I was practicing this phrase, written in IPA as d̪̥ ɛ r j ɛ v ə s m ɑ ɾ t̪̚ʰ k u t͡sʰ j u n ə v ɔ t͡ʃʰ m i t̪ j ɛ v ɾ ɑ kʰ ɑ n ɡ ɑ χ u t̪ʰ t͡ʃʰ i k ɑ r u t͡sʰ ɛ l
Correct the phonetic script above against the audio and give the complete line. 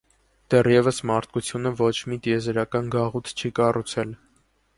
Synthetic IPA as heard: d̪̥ ɛ r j ɛ v ə s m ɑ ɾ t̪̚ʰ k u t͡sʰ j u n ə v ɔ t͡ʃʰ m i t̪ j ɛ z ɾ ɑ k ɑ n ɡ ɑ ʁ u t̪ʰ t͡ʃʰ i k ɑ r u t͡sʰ ɛ l